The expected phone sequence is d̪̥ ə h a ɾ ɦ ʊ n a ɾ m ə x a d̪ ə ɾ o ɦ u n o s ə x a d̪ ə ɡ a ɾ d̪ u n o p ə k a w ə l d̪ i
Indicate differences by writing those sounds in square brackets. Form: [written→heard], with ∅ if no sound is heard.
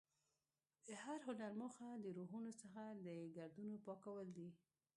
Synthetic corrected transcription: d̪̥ ə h a ɾ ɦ ʊ n a ɾ m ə x a d̪ ə ɾ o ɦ u n o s ə x a d̪ ə ɡ a ɾ d̪ u n o p [ə→ɑ] k a w ə l d̪ i